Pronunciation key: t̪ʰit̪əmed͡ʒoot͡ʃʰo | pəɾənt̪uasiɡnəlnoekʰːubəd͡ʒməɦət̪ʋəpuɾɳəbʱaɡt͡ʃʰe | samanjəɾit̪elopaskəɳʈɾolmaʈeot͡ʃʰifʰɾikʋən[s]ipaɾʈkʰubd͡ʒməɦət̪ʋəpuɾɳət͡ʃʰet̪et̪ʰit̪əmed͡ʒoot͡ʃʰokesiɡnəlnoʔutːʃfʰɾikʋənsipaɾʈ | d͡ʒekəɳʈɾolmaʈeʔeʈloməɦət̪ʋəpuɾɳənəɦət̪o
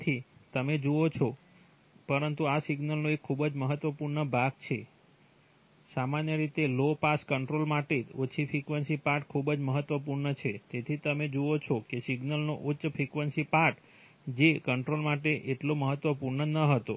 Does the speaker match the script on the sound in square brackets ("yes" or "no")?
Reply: yes